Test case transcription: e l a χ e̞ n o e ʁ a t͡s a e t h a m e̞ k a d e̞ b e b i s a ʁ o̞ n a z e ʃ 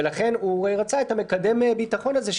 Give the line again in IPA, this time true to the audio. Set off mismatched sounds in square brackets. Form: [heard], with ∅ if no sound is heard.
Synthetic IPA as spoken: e l a χ e̞ n [u] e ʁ a t͡s a e t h a m e̞ k a d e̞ [m] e b i [t] a [χ] o̞ n a z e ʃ